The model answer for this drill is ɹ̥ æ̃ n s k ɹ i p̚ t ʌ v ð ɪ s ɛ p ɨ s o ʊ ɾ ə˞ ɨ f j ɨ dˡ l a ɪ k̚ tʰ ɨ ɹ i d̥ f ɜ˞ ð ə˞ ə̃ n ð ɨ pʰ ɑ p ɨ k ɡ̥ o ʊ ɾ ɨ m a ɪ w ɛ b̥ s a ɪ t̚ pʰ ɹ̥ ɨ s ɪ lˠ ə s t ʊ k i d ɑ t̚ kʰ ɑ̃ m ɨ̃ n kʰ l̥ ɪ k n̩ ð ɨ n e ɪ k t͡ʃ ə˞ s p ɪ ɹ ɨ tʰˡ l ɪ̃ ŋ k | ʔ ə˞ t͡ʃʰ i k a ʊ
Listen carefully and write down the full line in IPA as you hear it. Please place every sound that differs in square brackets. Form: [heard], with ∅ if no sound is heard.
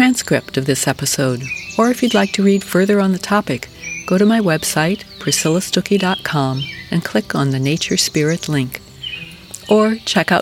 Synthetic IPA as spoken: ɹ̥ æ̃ n s k ɹ [ɪ] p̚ t ʌ v ð ɪ s ɛ p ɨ s o ʊ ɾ ə˞ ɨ f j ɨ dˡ l a ɪ k̚ tʰ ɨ ɹ i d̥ f ɜ˞ ð ə˞ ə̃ n ð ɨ [tʰ] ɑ p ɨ k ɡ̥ o ʊ ɾ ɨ m a ɪ w ɛ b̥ s a ɪ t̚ pʰ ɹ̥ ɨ s ɪ lˠ ə s t ʊ k i d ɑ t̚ kʰ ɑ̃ m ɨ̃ n kʰ l̥ ɪ k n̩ ð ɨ n e ɪ [∅] t͡ʃ ə˞ s p ɪ ɹ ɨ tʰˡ l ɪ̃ ŋ k | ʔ ə˞ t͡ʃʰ [ɛ] k a ʊ